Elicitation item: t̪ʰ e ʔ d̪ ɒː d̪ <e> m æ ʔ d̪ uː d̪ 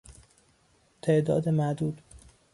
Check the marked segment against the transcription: correct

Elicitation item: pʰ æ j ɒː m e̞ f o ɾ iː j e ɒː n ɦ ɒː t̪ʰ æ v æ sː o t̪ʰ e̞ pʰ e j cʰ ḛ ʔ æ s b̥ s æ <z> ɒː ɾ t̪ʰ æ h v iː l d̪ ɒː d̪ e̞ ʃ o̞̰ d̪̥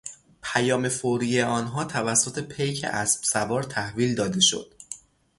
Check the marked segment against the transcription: incorrect: v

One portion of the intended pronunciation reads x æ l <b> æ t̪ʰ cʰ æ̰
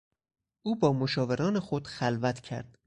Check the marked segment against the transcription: incorrect: v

